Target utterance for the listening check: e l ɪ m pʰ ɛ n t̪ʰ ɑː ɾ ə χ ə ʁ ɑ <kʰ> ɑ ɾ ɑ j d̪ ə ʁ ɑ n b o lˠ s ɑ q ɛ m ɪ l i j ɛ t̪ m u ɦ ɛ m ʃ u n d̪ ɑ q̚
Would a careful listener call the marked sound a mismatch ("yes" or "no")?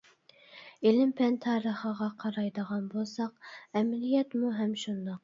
yes